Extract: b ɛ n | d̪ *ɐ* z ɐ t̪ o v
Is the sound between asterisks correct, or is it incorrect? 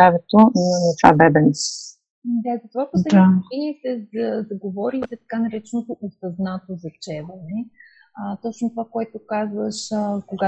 incorrect